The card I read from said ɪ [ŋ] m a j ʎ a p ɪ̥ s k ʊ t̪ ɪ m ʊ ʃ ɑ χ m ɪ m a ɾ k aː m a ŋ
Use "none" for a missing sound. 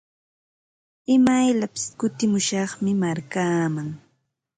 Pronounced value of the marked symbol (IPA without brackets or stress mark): none